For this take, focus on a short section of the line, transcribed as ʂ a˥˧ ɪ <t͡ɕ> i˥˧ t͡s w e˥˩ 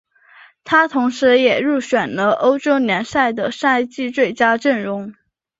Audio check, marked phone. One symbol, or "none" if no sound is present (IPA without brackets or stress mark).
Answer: t͡ɕ